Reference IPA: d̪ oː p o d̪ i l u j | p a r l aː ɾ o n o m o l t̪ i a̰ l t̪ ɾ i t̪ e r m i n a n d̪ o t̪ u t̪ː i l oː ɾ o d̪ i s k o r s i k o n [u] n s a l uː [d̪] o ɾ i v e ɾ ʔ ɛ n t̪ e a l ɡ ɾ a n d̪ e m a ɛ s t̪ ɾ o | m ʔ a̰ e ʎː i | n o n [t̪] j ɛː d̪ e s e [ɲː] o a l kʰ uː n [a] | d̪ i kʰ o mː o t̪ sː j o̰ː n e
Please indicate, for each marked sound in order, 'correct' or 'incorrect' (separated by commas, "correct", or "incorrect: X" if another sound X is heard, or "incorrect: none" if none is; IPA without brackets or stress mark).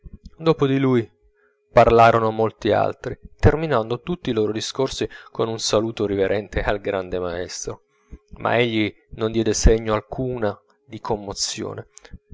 correct, incorrect: t̪, incorrect: d̪, correct, correct